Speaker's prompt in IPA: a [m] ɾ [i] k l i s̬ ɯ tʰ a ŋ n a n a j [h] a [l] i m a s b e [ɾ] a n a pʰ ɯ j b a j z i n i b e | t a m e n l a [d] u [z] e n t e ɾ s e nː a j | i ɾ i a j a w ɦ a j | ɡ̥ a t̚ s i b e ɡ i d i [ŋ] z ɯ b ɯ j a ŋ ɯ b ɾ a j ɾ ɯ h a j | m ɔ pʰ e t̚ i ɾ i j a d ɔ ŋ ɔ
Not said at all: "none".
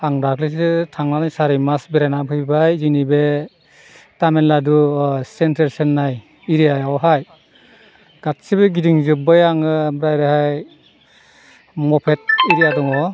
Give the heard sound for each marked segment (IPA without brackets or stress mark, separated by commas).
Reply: ŋ, a, s, ɾ, ɾ, d, s, ŋ